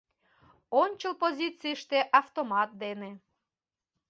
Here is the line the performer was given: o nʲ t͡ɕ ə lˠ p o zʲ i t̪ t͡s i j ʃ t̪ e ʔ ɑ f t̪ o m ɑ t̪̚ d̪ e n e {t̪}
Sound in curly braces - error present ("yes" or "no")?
yes